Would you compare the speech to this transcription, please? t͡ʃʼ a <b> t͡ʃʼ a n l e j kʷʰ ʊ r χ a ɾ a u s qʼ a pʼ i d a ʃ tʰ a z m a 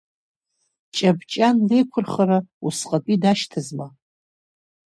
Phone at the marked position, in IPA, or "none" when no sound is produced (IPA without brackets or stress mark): b